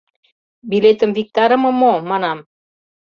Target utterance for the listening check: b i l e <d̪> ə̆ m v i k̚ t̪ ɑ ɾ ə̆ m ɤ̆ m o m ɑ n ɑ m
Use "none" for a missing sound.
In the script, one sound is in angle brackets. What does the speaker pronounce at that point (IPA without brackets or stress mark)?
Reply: t̪